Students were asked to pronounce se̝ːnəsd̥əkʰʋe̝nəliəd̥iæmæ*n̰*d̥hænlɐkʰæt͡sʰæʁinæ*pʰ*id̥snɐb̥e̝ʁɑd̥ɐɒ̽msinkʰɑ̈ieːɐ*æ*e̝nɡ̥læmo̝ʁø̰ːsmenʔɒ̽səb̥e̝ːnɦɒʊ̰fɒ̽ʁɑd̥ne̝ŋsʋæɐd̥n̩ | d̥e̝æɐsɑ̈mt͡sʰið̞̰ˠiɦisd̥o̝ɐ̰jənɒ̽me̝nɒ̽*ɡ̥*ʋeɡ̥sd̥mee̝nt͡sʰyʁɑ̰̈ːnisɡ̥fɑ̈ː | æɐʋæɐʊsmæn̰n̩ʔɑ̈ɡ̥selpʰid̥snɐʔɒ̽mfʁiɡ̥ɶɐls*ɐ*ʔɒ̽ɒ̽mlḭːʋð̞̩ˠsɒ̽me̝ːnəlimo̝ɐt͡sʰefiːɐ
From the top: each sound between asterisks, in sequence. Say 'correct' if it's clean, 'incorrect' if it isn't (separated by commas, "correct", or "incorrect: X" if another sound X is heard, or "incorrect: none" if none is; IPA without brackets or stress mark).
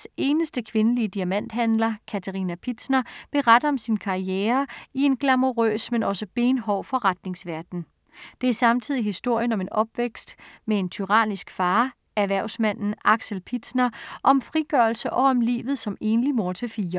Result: correct, correct, incorrect: i, incorrect: b̥, incorrect: ə